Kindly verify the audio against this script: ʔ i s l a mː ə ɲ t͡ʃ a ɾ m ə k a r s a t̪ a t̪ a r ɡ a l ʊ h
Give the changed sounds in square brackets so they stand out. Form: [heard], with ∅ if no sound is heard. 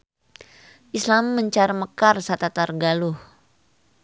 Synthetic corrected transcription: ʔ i s l a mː ə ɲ t͡ʃ a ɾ m ə k a r s a t̪ a t̪ a r ɡ a l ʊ h